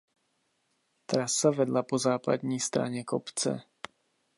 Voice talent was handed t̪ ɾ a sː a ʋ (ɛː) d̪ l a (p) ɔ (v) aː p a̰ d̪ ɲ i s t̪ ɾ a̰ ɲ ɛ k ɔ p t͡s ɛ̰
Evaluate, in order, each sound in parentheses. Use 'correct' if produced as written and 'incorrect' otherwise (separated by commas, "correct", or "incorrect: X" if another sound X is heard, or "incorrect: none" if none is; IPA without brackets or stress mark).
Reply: incorrect: ɛ, correct, incorrect: z